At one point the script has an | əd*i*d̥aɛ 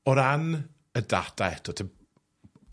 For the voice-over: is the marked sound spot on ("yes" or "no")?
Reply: no